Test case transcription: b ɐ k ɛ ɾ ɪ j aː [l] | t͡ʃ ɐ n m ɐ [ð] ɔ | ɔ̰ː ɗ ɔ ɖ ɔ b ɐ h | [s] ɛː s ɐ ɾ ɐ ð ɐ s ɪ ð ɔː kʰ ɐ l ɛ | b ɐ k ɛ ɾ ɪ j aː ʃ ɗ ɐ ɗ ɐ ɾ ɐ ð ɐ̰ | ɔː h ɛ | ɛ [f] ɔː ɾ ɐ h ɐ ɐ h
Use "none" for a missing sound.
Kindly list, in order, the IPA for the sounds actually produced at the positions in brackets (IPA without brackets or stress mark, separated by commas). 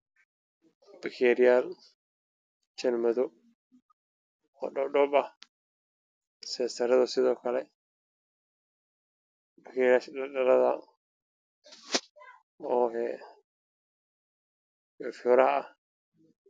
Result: l, ð, s, f